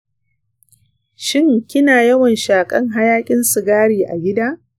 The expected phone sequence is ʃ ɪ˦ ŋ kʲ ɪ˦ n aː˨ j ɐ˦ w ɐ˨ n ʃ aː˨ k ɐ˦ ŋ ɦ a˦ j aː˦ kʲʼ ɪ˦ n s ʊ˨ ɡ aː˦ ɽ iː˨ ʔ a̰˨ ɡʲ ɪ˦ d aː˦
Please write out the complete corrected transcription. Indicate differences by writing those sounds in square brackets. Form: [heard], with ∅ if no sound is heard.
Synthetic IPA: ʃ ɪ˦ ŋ kʲ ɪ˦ n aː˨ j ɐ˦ w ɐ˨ n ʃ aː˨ [kʼ] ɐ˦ ŋ ɦ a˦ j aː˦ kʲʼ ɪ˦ n s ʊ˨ ɡ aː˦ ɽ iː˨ ʔ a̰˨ ɡʲ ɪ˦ d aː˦